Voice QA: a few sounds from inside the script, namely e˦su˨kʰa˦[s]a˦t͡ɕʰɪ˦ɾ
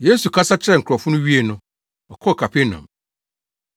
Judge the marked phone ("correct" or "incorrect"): correct